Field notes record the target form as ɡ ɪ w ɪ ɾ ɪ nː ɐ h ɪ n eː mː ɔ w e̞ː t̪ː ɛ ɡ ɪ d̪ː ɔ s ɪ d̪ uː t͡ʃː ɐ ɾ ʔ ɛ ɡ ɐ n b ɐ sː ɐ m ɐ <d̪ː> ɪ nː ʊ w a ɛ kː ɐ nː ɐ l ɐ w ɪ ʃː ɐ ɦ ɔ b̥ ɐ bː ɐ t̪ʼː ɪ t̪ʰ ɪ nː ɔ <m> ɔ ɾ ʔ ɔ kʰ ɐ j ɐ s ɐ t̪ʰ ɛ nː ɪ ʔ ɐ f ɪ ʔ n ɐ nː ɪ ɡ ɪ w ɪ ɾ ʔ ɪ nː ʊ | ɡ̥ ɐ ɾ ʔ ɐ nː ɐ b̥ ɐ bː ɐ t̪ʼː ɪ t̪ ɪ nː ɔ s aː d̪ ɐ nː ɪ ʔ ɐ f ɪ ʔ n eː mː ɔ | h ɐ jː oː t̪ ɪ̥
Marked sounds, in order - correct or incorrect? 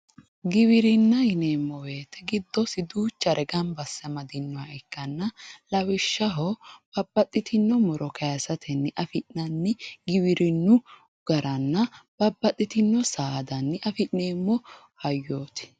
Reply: incorrect, correct

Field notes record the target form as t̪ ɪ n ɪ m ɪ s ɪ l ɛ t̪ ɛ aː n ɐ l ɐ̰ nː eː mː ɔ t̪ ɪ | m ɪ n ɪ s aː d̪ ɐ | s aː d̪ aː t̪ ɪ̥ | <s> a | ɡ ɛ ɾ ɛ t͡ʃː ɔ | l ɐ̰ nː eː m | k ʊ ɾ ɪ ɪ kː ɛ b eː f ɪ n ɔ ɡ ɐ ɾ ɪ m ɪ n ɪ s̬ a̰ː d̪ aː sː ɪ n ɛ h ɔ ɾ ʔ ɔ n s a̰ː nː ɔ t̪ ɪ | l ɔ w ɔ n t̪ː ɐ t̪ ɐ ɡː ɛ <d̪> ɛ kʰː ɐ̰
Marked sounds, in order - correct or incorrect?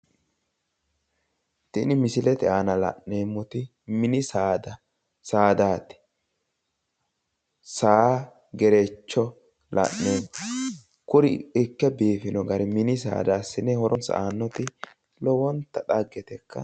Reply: correct, incorrect

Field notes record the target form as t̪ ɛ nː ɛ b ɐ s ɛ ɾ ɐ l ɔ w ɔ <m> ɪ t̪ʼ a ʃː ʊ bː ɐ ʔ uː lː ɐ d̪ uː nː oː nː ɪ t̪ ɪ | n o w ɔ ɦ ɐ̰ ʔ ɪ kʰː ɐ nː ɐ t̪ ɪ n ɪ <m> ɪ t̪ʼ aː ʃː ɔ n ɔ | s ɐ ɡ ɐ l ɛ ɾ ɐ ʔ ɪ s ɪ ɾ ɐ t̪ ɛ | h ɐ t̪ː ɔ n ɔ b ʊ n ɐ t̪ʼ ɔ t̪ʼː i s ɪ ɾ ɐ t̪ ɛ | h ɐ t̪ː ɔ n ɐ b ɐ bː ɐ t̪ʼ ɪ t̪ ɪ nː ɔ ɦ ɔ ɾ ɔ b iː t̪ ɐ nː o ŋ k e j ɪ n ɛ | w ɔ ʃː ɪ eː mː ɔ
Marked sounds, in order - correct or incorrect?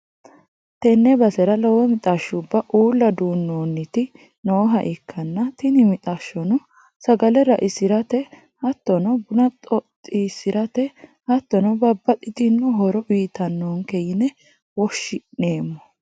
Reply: correct, correct

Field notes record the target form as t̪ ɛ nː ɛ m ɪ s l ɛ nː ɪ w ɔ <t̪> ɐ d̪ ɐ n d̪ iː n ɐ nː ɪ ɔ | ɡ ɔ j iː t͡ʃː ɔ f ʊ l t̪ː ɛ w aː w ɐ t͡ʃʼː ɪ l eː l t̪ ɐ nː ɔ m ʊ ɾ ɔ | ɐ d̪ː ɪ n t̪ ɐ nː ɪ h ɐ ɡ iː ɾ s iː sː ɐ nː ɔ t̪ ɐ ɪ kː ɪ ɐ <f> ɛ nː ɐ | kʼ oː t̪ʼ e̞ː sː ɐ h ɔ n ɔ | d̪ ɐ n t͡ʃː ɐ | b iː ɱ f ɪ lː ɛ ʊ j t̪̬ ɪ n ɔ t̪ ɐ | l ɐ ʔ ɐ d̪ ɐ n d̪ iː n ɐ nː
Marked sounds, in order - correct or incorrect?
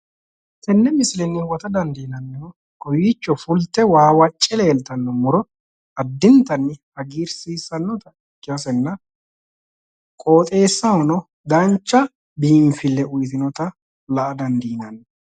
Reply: correct, incorrect

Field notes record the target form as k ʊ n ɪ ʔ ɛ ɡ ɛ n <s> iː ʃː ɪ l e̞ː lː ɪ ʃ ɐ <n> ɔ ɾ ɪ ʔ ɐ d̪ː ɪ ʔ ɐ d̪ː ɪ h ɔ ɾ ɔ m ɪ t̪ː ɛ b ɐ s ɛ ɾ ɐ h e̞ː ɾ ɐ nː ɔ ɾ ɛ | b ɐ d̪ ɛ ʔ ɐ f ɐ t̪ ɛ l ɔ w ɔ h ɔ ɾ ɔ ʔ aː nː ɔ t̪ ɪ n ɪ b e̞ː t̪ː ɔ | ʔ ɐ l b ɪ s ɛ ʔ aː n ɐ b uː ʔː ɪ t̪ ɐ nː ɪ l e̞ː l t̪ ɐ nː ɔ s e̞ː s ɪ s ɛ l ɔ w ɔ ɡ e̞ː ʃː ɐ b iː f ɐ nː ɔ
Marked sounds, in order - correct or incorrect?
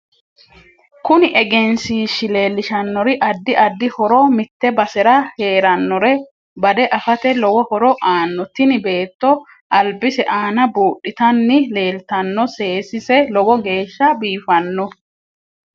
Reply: correct, incorrect

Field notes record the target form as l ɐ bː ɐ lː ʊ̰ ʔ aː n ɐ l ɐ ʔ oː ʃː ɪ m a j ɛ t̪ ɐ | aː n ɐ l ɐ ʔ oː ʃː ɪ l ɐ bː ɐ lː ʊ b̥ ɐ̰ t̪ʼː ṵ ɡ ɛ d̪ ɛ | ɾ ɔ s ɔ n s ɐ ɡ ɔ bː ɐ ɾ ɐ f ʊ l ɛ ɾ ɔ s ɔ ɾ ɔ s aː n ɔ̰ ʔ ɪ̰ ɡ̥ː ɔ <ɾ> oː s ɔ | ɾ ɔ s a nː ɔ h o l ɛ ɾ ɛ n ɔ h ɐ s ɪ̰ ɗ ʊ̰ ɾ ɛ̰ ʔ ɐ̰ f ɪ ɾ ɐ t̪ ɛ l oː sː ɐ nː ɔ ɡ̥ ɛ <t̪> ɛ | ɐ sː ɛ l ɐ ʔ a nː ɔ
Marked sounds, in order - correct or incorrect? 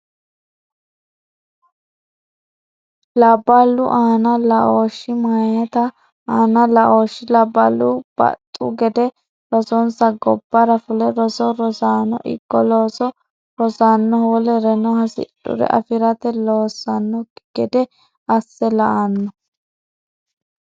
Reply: incorrect, incorrect

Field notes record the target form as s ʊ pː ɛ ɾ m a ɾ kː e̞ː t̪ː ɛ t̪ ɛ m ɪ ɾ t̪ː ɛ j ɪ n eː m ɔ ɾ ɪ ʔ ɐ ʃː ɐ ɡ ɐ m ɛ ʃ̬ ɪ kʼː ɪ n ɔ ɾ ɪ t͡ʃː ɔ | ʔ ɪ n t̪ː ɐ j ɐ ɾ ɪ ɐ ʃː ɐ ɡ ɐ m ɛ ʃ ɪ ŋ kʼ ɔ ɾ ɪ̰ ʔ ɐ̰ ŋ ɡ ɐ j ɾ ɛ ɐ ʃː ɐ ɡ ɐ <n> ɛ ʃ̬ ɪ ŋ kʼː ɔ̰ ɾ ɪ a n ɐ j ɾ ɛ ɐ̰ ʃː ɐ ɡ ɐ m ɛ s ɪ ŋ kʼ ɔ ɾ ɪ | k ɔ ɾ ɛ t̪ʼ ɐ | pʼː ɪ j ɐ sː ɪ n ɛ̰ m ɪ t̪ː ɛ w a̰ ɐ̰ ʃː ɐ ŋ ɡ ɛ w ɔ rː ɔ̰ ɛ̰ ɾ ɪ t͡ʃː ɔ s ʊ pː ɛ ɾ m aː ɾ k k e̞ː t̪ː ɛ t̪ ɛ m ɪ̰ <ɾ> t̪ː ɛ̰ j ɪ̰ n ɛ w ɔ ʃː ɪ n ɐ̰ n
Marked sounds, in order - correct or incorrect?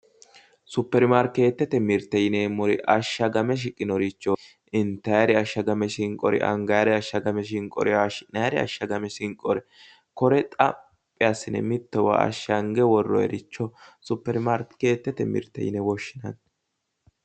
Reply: incorrect, correct

